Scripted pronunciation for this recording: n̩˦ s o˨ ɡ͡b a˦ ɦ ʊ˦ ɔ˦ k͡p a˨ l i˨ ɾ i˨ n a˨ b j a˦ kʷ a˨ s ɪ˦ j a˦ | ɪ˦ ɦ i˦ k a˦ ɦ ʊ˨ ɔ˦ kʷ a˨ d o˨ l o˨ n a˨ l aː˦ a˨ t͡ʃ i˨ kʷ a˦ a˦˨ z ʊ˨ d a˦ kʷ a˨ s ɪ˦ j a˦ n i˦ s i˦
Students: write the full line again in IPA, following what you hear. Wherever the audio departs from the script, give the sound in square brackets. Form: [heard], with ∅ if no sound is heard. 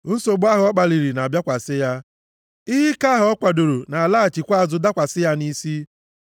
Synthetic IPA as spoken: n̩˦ s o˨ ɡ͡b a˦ ɦ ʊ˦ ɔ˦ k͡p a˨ l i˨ ɾ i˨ n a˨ b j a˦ kʷ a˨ s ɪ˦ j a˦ | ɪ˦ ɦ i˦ k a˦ ɦ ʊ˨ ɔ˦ kʷ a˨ d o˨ [ɾ] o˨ n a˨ l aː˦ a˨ t͡ʃ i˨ kʷ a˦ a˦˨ z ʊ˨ d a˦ kʷ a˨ s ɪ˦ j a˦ n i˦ s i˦